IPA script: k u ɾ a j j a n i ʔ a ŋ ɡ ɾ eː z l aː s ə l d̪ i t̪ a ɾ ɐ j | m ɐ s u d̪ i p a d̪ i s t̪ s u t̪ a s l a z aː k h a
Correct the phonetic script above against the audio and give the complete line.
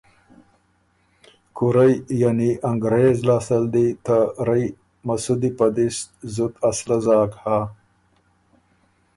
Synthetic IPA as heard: k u ɾ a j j a n i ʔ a ŋ ɡ ɾ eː z l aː s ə l d̪ i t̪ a ɾ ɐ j | m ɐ s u d̪ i p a d̪ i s t̪ z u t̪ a s l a z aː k h a